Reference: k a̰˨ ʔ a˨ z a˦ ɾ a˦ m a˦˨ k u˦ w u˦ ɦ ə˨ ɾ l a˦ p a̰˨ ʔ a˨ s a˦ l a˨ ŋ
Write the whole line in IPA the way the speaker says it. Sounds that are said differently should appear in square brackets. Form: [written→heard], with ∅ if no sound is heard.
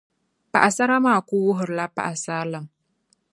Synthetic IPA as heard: [k→p] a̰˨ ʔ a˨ [z→s] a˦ ɾ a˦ m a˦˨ k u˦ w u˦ ɦ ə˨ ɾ l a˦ p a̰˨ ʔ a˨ s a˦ l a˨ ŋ